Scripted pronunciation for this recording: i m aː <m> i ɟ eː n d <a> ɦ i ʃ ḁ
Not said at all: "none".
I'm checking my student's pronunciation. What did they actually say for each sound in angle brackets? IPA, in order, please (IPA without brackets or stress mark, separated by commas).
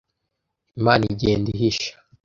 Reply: n, i